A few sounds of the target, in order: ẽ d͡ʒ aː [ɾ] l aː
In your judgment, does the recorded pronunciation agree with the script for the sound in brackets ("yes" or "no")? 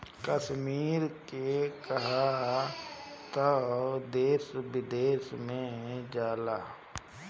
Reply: no